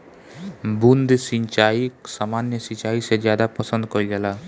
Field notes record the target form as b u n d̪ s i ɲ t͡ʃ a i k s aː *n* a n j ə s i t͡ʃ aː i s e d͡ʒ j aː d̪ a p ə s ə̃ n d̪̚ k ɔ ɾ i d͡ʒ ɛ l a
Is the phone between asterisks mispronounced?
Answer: yes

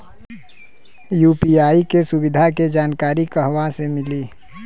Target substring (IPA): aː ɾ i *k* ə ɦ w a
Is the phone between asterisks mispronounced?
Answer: no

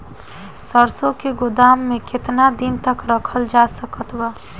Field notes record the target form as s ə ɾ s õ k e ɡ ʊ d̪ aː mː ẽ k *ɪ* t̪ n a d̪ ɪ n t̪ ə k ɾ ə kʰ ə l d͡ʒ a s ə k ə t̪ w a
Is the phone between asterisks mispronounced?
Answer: no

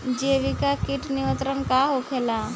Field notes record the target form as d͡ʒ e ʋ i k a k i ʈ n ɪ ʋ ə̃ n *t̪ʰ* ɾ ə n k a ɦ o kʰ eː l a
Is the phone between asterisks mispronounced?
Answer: yes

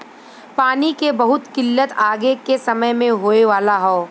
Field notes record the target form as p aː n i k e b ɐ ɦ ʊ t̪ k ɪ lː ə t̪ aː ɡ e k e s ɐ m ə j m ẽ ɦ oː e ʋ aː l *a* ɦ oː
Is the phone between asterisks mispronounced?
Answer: no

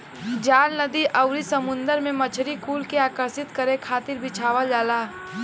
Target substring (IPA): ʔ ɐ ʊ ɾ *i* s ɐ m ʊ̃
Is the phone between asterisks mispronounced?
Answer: no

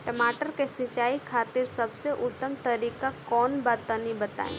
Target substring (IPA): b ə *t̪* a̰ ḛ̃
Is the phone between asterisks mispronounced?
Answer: no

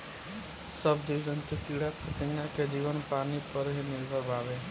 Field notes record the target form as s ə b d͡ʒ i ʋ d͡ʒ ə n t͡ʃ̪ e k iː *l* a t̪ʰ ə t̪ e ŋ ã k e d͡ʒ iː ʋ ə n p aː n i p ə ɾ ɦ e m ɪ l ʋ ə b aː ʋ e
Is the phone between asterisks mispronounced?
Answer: yes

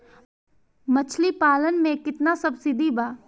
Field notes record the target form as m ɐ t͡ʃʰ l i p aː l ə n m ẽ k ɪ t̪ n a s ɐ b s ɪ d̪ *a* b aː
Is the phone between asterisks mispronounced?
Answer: yes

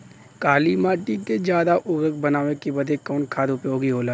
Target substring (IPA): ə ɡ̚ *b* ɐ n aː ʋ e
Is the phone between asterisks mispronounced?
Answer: no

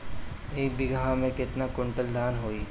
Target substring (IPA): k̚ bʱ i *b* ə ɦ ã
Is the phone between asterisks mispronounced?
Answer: yes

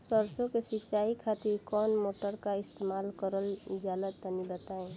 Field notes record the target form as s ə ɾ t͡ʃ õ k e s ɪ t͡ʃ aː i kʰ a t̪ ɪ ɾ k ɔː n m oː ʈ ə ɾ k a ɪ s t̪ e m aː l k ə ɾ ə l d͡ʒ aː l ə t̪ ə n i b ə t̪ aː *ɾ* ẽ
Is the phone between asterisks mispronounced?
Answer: yes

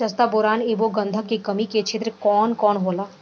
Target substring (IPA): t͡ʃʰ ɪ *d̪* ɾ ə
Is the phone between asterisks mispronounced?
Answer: yes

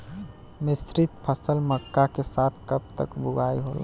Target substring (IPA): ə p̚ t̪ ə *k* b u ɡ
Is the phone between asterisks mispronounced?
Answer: no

